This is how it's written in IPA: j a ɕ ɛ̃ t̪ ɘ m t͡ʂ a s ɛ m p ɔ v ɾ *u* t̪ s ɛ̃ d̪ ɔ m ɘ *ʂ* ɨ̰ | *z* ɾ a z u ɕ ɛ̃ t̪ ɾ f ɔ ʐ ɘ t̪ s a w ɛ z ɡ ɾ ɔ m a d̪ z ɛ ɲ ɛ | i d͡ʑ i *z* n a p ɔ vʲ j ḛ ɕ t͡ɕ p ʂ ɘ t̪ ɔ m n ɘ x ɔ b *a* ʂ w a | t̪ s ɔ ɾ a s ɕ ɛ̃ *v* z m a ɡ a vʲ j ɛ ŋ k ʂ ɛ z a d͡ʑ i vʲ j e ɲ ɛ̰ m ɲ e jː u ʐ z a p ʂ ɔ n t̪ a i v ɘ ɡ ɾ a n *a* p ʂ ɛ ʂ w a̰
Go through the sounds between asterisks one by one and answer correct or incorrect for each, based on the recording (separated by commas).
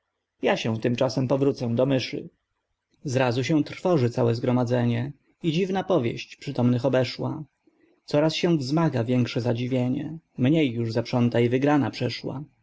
correct, correct, correct, incorrect, incorrect, correct, correct